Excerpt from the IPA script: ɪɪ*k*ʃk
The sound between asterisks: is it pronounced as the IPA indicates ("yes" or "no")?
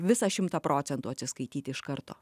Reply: no